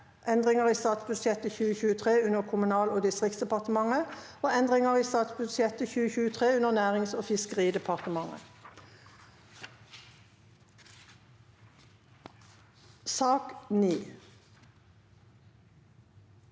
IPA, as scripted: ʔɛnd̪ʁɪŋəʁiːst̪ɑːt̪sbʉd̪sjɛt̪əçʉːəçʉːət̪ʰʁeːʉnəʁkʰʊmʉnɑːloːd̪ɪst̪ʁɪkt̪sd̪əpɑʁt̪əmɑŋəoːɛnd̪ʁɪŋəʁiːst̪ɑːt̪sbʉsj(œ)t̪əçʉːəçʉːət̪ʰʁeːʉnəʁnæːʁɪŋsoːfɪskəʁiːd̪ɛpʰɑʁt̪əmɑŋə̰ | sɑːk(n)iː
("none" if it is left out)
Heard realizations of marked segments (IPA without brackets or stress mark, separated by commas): ɛ, n